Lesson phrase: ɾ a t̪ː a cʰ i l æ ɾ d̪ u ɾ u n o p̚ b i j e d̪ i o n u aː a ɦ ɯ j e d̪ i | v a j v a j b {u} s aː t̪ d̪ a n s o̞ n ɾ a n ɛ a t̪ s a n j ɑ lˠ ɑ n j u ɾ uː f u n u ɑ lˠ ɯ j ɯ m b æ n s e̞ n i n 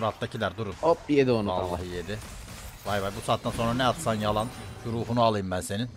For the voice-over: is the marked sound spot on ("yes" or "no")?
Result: yes